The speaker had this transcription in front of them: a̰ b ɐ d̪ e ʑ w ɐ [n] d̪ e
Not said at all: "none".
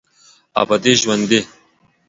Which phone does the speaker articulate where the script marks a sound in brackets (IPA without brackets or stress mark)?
n